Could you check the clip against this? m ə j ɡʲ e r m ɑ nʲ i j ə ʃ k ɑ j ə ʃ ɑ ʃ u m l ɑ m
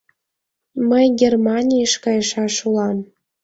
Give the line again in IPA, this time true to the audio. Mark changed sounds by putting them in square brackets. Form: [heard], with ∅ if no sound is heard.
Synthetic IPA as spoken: m ə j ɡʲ e r m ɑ nʲ i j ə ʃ k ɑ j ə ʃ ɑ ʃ u [∅] l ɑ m